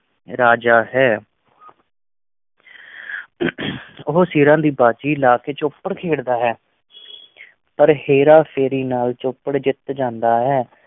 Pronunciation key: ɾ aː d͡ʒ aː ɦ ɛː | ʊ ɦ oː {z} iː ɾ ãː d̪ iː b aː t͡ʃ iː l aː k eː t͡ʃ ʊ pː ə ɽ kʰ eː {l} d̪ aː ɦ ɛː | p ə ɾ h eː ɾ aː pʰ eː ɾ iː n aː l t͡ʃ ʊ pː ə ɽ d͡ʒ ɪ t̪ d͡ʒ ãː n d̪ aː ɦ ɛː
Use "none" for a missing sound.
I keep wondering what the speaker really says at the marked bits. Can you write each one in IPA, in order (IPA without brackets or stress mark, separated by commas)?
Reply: s, ɽ